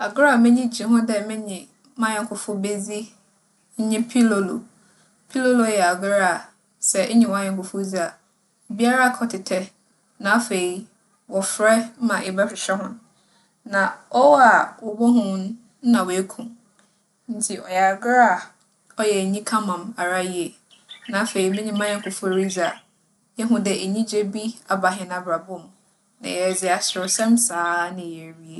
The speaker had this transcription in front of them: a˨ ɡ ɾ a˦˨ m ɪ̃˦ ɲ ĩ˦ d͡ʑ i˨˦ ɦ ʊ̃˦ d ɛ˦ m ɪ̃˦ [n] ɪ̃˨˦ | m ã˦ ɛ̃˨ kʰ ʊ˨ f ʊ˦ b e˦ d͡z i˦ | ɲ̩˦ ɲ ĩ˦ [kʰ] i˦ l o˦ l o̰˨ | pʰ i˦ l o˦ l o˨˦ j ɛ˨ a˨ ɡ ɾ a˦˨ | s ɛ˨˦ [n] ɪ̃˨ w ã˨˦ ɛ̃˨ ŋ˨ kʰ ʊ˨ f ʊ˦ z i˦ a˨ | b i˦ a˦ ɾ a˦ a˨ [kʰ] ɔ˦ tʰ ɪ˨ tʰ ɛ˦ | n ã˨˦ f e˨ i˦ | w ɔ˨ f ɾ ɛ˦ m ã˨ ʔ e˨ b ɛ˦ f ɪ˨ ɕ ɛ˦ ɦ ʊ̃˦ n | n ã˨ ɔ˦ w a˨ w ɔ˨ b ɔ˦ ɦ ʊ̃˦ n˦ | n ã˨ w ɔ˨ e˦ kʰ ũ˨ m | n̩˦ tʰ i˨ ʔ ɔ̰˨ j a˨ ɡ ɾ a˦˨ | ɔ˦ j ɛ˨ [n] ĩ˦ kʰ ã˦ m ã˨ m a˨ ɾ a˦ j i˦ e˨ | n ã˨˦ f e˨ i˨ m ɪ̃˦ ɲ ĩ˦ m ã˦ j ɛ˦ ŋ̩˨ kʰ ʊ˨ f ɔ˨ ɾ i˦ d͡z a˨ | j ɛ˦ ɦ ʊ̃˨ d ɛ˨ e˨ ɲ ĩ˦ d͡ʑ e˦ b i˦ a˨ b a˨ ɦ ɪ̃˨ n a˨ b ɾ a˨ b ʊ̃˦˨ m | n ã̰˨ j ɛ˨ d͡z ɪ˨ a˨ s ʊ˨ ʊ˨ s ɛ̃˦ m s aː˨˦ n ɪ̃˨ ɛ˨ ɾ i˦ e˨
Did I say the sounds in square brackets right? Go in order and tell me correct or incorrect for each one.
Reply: incorrect: ɲ, incorrect: pʰ, incorrect: ɲ, correct, incorrect: ɲ

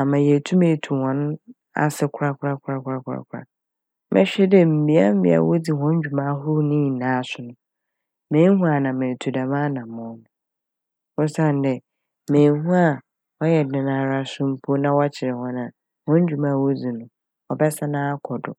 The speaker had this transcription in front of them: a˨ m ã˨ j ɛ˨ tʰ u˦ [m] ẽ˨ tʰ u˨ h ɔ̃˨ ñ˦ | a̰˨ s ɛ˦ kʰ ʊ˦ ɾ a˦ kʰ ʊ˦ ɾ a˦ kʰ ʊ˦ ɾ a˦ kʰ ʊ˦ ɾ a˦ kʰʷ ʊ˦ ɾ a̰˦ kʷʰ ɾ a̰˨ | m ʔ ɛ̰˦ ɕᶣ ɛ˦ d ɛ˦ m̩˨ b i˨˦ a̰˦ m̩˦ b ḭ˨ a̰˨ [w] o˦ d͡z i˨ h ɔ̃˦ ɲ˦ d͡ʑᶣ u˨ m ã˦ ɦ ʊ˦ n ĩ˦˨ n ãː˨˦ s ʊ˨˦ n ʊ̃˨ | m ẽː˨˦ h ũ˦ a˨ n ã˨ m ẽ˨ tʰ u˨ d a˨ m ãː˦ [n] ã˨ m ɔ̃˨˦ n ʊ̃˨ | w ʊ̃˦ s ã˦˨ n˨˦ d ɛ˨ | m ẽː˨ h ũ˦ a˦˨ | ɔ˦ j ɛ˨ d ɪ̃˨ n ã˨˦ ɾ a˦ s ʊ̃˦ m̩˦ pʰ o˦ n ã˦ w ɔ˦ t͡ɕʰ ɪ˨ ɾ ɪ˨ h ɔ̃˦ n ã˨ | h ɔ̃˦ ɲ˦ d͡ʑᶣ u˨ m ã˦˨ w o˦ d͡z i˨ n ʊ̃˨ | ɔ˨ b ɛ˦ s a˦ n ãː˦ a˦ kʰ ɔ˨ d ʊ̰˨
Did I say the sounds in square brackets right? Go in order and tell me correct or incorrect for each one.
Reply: correct, correct, correct

